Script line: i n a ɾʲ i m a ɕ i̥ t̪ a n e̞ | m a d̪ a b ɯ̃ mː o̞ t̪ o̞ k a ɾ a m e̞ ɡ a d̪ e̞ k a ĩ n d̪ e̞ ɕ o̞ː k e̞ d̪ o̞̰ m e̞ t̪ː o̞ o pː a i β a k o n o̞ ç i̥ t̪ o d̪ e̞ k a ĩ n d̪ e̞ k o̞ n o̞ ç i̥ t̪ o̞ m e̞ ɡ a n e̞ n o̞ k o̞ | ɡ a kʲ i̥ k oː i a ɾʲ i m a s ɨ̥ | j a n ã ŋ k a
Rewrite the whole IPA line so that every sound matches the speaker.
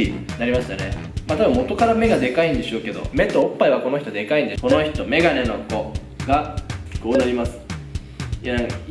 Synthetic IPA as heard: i n a ɾʲ i m a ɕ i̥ t̪ a n e̞ | m a t̪ a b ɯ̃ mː o̞ t̪ o̞ k a ɾ a m e̞ ɡ a d̪ e̞ k a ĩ n d̪ e̞ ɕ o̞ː k e̞ d̪ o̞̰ m e̞ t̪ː o̞ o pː a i β a k o n o̞ ç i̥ t̪ o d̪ e̞ k a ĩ n d̪ e̞ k o̞ n o̞ ç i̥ t̪ o̞ m e̞ ɡ a n e̞ n o̞ k o̞ | ɡ a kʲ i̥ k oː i a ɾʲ i m a s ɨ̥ | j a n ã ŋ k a